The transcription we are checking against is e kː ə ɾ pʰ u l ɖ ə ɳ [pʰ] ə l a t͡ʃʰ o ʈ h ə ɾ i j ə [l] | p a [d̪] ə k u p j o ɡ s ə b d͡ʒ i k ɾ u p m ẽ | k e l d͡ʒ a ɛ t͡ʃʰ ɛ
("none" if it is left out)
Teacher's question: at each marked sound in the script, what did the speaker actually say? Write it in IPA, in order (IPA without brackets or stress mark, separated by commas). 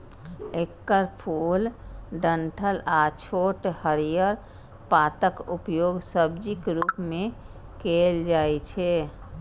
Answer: ʈʰ, ɾ, t̪